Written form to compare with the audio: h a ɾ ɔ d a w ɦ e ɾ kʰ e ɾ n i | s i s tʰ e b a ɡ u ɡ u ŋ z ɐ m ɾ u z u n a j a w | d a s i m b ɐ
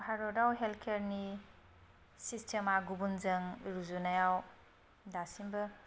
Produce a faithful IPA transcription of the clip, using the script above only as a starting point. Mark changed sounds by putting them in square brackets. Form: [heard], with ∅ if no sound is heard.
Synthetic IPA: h a ɾ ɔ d a w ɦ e [l] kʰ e ɾ n i | s i s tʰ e [m] a ɡ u [b] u [n] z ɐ [ŋ] ɾ u z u n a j a w | d a s i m b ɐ